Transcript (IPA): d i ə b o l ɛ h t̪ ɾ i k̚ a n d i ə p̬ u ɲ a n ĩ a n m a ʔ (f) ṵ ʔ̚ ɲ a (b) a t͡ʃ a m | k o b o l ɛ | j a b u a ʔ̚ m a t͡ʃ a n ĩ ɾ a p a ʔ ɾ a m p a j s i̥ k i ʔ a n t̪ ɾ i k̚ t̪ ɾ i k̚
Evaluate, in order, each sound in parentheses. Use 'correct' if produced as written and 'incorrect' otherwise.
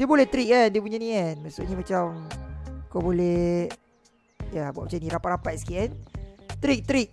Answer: incorrect, incorrect

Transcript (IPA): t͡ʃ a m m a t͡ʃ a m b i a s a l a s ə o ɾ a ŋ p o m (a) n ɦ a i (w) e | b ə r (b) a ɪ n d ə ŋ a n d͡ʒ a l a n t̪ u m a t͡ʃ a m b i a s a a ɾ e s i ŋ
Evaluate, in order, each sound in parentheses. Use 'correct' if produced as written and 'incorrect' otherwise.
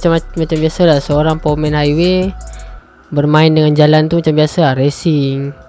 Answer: incorrect, correct, incorrect

